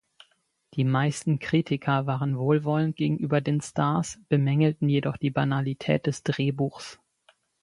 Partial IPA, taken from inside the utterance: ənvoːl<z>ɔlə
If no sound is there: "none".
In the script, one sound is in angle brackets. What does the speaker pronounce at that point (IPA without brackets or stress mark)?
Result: v